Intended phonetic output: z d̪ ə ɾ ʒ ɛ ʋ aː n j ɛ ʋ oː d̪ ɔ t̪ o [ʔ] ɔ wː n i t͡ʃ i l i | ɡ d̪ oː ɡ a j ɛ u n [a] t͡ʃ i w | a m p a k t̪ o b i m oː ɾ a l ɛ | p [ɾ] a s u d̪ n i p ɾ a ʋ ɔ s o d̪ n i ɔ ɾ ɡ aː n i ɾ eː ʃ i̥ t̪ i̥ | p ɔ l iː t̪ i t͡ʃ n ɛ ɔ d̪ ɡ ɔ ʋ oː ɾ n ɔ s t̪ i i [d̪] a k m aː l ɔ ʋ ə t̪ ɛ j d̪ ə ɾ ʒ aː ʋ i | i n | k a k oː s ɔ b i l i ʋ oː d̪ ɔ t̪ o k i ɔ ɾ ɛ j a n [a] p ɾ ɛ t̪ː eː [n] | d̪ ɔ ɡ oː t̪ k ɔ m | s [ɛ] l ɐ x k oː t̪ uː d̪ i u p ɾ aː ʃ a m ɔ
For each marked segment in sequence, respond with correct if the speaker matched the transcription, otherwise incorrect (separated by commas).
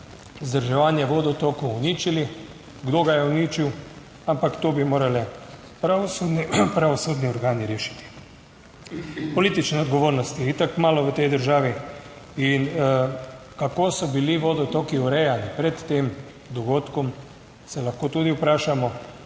incorrect, incorrect, correct, incorrect, incorrect, incorrect, correct